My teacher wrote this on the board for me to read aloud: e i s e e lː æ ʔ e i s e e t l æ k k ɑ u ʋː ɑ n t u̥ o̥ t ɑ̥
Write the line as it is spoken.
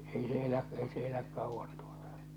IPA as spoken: e i s e e l æ ʔ e i s e e l æ k k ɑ u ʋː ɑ n t u̥ o̥ t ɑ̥